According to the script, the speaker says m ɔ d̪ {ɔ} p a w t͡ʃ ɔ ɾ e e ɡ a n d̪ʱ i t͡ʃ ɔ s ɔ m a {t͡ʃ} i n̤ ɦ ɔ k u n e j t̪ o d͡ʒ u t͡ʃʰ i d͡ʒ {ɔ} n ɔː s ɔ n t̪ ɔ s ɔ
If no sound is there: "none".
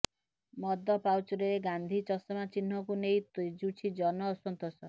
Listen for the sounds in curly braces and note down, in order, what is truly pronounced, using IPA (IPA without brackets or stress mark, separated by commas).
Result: ɔ, t͡ʃ, ɔ